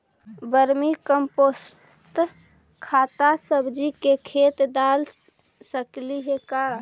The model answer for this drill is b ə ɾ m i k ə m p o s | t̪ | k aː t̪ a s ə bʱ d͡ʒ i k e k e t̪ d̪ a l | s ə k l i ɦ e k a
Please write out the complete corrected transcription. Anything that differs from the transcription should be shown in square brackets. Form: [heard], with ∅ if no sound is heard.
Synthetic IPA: b ə ɾ m i k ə m p o s | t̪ | [kʰ] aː t̪ a s ə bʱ d͡ʒ i k e [kʰ] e t̪ d̪ a l | s ə k l i ɦ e k a